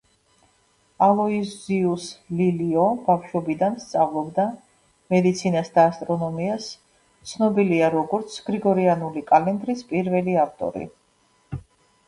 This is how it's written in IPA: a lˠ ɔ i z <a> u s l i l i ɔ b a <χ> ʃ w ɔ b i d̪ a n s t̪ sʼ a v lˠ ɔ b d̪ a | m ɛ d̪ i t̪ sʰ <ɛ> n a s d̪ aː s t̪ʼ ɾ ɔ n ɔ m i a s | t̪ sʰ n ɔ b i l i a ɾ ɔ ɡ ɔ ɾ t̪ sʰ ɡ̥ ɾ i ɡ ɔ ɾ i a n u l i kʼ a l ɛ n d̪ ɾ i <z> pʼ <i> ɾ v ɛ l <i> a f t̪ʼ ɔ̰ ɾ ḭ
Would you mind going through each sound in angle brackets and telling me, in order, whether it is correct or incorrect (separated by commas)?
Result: incorrect, incorrect, incorrect, incorrect, correct, correct